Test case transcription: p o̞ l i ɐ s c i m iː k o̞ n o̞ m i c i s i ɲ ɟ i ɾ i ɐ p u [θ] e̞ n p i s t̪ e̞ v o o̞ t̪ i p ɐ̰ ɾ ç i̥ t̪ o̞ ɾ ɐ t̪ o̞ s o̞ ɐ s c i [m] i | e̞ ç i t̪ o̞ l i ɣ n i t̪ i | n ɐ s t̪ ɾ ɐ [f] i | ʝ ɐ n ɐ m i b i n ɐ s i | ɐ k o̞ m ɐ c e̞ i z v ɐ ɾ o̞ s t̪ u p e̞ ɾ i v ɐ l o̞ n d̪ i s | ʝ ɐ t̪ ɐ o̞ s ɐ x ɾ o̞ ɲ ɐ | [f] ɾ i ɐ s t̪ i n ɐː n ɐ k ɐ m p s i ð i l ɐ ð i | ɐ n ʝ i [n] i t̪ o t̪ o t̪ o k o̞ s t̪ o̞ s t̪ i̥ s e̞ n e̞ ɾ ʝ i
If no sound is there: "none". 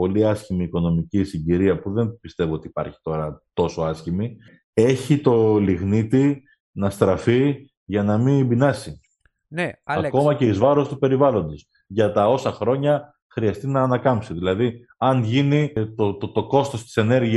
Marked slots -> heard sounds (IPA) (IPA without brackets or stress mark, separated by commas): ð, m, f, x, n